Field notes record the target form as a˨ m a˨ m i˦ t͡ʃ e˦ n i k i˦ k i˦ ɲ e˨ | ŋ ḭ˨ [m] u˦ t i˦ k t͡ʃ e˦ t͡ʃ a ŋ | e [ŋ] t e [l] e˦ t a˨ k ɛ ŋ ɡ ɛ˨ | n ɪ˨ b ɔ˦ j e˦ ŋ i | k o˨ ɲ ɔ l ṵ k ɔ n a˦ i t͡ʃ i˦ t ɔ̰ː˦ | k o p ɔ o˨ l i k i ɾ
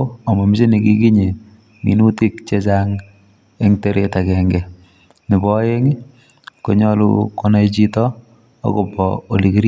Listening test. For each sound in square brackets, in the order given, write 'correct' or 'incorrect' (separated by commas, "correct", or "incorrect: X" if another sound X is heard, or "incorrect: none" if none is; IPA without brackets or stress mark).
incorrect: n, correct, incorrect: ɾ